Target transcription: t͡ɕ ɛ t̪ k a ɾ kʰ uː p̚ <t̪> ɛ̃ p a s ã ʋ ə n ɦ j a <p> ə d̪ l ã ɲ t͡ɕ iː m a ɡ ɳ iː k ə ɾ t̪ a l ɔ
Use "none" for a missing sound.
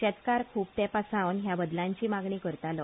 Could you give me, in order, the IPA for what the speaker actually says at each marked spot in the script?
t̪, b

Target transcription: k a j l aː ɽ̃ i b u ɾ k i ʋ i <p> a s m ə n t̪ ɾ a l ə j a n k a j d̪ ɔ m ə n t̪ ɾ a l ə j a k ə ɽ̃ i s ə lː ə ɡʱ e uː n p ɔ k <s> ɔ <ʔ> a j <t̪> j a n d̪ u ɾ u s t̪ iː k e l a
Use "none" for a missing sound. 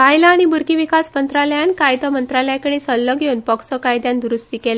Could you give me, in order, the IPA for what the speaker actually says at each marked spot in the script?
k, s, k, d̪

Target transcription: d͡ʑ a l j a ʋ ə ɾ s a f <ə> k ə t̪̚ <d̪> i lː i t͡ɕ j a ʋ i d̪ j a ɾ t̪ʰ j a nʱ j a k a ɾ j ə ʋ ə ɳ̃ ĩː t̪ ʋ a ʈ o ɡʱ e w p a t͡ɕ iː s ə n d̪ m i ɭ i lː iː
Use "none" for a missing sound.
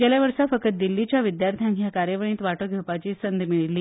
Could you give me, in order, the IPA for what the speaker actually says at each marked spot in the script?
ə, d̪

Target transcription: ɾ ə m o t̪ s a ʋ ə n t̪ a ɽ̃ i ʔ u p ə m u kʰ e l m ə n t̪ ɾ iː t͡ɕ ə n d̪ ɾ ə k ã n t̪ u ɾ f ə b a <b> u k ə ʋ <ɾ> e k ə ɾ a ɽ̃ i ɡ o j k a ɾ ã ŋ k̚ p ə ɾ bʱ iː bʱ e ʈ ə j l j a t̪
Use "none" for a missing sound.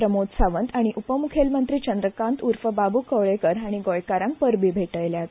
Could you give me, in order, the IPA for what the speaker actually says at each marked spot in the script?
b, ɭ

